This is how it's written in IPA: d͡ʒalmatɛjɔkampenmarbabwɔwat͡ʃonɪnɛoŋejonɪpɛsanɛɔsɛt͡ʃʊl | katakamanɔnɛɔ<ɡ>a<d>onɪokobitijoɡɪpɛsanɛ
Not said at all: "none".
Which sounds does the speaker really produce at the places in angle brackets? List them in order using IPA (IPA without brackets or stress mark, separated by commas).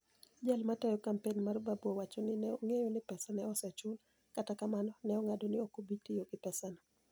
ŋ, d